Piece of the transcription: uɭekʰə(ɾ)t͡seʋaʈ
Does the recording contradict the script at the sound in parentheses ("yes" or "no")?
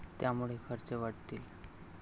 no